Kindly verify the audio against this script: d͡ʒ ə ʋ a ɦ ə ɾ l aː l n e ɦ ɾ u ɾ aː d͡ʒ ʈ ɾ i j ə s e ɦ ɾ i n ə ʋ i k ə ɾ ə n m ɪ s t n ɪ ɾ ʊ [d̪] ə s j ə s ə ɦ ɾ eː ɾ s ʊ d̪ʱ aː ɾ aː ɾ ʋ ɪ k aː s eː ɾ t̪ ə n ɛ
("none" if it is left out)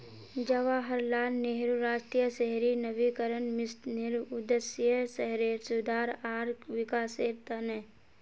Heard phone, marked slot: d̪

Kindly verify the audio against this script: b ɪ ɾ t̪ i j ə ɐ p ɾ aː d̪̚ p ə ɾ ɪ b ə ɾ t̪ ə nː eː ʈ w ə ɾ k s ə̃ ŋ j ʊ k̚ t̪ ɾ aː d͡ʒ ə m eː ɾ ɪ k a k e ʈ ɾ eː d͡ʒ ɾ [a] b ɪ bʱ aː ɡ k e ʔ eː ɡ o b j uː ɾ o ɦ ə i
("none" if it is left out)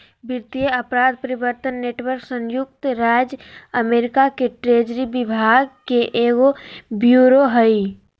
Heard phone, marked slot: i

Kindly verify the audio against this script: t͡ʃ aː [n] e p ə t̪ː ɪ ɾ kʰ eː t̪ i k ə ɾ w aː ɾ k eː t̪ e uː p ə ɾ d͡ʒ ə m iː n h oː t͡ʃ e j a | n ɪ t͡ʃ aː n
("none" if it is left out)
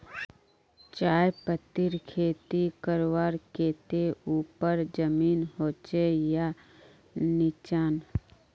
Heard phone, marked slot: none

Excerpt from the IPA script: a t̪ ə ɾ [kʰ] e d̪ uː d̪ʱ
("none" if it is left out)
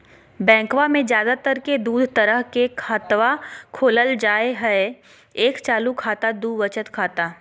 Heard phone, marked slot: k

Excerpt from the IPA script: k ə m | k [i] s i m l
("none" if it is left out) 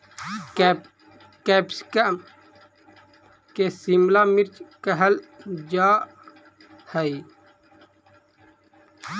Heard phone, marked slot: e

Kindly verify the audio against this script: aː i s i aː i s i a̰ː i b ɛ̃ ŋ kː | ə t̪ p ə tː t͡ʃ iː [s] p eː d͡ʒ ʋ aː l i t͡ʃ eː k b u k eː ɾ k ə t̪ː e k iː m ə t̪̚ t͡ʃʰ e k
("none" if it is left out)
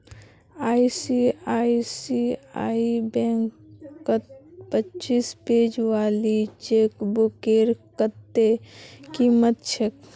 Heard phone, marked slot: s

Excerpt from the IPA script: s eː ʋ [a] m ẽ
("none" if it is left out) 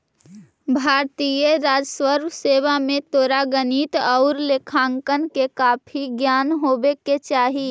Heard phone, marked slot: a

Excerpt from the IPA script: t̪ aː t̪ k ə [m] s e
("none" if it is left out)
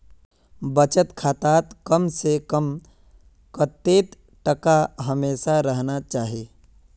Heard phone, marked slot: m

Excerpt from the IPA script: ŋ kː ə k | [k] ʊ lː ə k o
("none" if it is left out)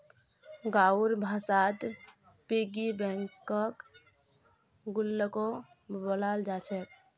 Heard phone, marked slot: ɡ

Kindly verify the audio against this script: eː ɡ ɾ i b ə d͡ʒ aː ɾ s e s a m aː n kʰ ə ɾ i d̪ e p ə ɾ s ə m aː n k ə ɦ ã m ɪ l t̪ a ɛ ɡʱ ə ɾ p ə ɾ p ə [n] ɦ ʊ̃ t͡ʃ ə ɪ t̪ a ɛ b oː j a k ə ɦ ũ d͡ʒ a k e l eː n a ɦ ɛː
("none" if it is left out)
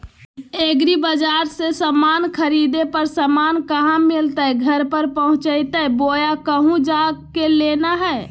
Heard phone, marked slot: none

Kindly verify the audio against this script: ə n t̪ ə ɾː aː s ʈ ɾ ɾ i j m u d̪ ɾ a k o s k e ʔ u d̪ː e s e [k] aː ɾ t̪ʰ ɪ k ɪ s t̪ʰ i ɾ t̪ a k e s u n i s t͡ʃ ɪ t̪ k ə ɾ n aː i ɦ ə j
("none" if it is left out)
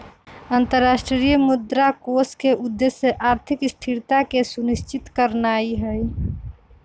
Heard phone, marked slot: ʔ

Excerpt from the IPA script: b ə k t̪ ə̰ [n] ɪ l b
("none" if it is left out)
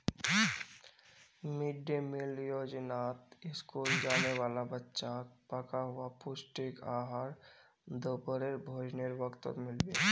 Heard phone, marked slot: m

